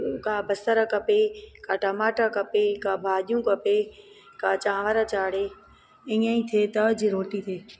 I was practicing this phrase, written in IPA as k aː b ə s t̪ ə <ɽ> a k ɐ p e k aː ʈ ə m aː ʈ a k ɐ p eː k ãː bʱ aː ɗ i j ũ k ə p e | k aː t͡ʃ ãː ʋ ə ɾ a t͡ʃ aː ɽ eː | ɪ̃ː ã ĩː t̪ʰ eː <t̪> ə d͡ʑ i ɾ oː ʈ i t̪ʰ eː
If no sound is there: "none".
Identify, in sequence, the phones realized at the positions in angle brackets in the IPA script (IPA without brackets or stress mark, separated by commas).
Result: ɾ, t̪